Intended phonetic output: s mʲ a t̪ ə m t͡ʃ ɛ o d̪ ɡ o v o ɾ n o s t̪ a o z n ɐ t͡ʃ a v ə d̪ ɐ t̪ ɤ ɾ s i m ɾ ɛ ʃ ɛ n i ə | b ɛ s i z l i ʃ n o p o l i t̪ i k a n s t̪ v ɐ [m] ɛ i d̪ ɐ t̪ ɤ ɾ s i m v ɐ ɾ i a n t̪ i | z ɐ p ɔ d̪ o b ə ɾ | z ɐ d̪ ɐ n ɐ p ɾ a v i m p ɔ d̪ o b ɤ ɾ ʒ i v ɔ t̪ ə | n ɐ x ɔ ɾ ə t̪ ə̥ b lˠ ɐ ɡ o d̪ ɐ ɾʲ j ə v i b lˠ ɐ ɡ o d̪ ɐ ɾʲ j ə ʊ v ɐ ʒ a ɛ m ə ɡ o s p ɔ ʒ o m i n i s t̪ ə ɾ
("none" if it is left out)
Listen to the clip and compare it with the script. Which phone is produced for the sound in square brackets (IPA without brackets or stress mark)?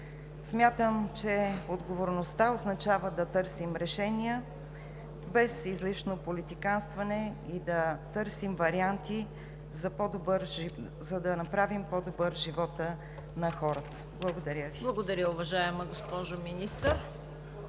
n